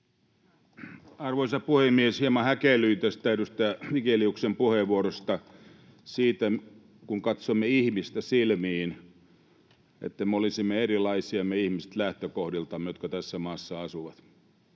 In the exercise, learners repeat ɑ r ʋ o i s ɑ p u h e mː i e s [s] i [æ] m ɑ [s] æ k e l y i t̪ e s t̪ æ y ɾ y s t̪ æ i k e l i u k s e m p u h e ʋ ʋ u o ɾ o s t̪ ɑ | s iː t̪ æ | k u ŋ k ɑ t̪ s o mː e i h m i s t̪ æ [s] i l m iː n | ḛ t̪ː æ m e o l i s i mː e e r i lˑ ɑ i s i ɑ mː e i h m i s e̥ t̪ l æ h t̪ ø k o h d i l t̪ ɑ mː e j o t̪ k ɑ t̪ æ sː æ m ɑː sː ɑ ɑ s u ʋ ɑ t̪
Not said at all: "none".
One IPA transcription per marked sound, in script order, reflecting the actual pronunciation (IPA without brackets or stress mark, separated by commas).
h, e, h, s